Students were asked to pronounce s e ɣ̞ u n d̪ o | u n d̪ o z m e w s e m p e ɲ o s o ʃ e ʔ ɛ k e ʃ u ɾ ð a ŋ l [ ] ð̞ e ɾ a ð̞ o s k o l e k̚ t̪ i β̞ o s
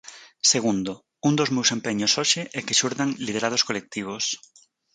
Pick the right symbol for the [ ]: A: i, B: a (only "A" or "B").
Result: A